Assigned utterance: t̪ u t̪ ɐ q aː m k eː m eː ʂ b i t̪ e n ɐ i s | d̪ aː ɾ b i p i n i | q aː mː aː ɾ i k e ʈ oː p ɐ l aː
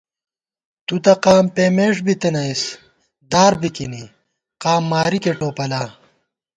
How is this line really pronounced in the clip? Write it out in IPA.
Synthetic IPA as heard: t̪ u t̪ ɐ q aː m p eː m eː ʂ b i t̪ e n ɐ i s | d̪ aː ɾ b i k i n i | q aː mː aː ɾ i k e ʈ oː p ɐ l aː